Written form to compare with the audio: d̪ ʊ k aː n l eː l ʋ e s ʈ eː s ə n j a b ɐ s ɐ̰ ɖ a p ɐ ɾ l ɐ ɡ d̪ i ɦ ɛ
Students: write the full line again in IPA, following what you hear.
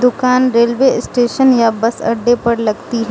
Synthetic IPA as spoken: d̪ ʊ k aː n ɾ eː l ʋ e s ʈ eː ʃ ə n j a b ɐ s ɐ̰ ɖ e p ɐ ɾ l ɐ ɡ t̪ i ɦ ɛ